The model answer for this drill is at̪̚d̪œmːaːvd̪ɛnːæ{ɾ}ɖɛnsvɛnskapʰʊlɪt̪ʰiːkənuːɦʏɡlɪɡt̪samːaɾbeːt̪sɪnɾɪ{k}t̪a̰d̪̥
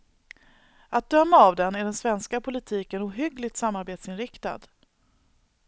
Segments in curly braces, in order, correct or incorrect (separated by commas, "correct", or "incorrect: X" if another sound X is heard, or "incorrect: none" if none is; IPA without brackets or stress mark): incorrect: none, correct